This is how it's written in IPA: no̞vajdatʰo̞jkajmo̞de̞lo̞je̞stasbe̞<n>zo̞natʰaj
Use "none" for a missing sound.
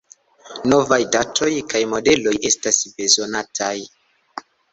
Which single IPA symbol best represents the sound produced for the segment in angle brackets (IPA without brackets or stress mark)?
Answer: none